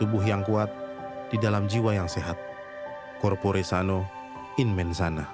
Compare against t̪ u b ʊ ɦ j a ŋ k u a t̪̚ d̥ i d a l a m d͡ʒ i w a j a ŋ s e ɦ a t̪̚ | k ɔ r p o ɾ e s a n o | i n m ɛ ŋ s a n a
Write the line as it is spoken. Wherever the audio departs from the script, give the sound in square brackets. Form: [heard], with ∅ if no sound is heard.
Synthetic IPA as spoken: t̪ u b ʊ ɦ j a ŋ k u a t̪̚ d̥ i d a l a m d͡ʒ i w a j a ŋ s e ɦ a t̪̚ | k ɔ r p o ɾ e s a n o | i n m ɛ [n] s a n a

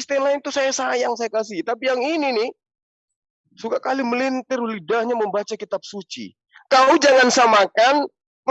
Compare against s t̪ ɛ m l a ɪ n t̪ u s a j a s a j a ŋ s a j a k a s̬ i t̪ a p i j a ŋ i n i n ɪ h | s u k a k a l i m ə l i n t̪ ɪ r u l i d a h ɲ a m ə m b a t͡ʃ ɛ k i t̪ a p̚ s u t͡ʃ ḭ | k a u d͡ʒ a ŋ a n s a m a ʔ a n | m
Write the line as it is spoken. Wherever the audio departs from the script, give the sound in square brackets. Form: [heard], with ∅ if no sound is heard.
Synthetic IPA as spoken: s t̪ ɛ m l a ɪ n t̪ u s a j a s a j a ŋ s a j a k a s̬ i t̪ a p i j a ŋ i n i n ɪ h | s u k a k a l i m ə l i n t̪ ɪ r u l i d a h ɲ a m ə m b a t͡ʃ [a] k i t̪ a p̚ s u t͡ʃ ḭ | k a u d͡ʒ a ŋ a n s a m a [k] a n | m

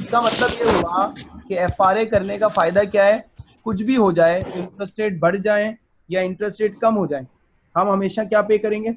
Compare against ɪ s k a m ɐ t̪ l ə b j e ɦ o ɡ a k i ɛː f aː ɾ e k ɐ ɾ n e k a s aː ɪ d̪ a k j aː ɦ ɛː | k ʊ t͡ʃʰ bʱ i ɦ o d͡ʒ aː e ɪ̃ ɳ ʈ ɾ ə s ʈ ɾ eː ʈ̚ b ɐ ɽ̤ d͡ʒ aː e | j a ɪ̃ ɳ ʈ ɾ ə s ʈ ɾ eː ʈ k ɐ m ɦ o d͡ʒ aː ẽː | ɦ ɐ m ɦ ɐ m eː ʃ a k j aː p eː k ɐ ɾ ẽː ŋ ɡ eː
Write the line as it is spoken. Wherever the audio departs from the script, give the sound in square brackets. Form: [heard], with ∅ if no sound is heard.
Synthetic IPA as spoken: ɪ s k a m ɐ t̪ l ə b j e ɦ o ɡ a k [e] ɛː f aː ɾ e k ɐ ɾ n e k a [f] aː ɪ d̪ a k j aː ɦ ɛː | k ʊ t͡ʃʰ bʱ i ɦ o d͡ʒ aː e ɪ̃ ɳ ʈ ɾ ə s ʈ ɾ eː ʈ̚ b ɐ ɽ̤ d͡ʒ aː e | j a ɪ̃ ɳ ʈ ɾ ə s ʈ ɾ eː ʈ k ɐ m ɦ o d͡ʒ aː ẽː | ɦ ɐ m ɦ ɐ m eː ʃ a k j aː p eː k ɐ ɾ ẽː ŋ ɡ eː

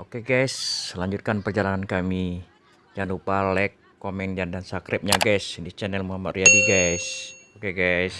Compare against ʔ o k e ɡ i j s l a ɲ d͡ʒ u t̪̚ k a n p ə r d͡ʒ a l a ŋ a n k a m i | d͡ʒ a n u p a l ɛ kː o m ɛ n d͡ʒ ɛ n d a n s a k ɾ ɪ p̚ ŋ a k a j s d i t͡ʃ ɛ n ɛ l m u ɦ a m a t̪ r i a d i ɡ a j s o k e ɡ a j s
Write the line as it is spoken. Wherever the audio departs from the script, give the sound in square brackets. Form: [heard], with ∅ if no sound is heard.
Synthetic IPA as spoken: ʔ o k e ɡ [a] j s l a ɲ d͡ʒ u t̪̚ k a n p ə r d͡ʒ a l a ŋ a n k a m i | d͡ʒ a n u p a l ɛ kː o m ɛ n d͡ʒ [a] n d a n s a k ɾ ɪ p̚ [ɲ] a [ɡ] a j s d i t͡ʃ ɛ n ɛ l m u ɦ a m a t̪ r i a d i ɡ a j s o k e ɡ a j s

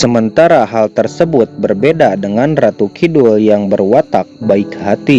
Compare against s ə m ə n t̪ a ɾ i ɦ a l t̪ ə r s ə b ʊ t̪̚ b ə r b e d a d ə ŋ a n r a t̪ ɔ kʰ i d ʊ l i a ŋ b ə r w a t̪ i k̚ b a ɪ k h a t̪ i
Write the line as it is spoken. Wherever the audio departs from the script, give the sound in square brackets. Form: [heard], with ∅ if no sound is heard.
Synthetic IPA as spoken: s ə m ə n t̪ a ɾ [a] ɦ a l t̪ ə r s ə b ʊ t̪̚ b ə r b e d a d ə ŋ a n r a t̪ [u] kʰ i d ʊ l [j] a ŋ b ə r w a t̪ [a] k̚ b a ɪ k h a t̪ i

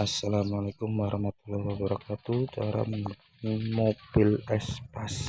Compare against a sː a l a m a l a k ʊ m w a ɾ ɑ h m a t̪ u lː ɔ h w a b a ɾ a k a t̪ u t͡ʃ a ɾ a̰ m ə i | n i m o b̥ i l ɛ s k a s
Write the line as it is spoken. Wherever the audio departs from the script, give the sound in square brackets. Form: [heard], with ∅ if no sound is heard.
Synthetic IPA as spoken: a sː a l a m a l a k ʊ m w a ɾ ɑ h m a t̪ u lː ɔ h w a b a ɾ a k a t̪ u t͡ʃ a ɾ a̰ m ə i | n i m o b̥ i l ɛ s [p] a s

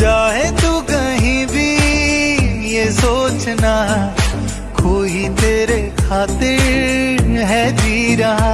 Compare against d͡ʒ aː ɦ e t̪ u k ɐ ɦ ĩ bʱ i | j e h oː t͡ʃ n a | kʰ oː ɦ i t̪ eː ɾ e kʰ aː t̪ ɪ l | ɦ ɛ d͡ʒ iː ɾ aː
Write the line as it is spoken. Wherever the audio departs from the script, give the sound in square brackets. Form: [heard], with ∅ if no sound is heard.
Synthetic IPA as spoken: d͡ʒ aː ɦ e t̪ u k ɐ ɦ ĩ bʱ i | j e [s] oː t͡ʃ n a | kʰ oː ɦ i t̪ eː ɾ e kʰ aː t̪ ɪ [ɾ] | ɦ ɛ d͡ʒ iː ɾ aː

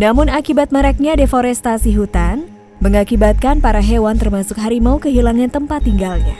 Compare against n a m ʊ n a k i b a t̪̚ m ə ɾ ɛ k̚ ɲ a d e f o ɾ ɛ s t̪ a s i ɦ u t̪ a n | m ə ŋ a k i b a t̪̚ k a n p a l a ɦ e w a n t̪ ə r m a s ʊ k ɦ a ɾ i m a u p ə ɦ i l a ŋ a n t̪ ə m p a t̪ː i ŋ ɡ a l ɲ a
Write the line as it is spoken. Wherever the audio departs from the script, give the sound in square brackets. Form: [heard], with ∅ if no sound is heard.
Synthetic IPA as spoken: n a m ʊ n a k i b a t̪̚ m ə ɾ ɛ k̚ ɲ a d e f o ɾ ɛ s t̪ a s i ɦ u t̪ a n | m ə ŋ a k i b a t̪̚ k a n p a [ɾ] a ɦ e w a n t̪ ə r m a s ʊ k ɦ a ɾ i m a u [k] ə ɦ i l a ŋ a n t̪ ə m p a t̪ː i ŋ ɡ a l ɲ a

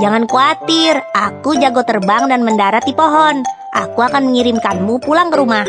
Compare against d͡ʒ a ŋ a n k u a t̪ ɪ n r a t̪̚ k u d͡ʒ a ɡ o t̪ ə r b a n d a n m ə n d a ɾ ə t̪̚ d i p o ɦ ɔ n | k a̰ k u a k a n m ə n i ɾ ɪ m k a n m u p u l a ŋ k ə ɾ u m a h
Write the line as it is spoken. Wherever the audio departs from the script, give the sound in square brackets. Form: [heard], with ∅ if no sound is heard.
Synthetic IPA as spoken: d͡ʒ a ŋ a n k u a t̪ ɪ [∅] r a [∅] k u d͡ʒ a ɡ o t̪ ə r b a [ŋ] d a n m ə n d a ɾ [a] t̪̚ d i p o ɦ ɔ n | [ʔ] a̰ k u a k a n m ə [ŋ] i ɾ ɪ m k a n m u p u l a ŋ k ə ɾ u m a h

